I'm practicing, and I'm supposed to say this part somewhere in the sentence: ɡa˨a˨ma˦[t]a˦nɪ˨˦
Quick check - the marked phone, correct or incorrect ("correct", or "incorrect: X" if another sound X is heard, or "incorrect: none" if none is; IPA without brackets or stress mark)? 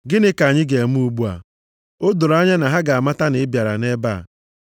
correct